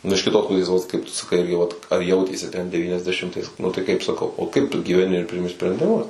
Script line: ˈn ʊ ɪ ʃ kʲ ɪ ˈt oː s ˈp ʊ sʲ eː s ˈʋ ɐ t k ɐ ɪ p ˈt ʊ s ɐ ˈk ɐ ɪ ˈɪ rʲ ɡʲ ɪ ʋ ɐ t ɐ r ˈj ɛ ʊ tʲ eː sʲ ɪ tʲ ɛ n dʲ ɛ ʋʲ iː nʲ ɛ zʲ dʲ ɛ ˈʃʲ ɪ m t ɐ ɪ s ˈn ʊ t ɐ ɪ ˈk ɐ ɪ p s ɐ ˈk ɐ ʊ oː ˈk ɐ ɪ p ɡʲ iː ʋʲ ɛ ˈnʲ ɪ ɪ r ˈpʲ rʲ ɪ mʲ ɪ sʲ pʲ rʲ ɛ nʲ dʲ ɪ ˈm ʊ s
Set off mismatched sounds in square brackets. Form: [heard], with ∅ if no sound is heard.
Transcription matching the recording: ˈn ʊ ɪ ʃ kʲ ɪ ˈt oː s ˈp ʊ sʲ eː s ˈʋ ɐ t k ɐ ɪ p ˈt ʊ s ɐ ˈk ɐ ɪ ˈɪ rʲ ɡʲ ɪ ʋ ɐ t ɐ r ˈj ɛ ʊ tʲ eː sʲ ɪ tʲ ɛ n dʲ ɛ ʋʲ iː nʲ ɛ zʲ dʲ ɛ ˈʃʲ ɪ m t ɐ ɪ s ˈn ʊ t ɐ ɪ ˈk ɐ ɪ p s ɐ ˈk ɐ ʊ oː ˈk ɐ ɪ p ɡʲ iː ʋʲ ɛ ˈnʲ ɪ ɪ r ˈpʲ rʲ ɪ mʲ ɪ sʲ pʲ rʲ ɛ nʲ dʲ ɪ ˈm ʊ s